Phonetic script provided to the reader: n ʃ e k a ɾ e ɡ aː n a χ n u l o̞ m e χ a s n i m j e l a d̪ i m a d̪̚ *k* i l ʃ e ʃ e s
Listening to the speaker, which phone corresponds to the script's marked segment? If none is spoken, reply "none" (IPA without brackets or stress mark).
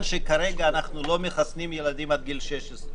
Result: ɡ